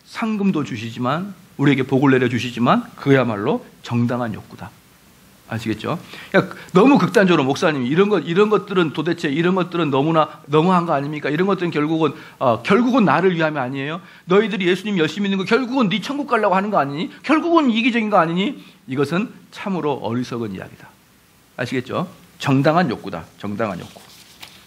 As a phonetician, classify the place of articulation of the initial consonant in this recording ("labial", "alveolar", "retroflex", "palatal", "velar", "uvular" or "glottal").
alveolar